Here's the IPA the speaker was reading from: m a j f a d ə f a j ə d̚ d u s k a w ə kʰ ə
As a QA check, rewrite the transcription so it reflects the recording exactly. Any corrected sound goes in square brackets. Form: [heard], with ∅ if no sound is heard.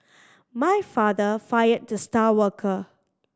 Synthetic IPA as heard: m a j f a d ə f a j ə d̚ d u s [t] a w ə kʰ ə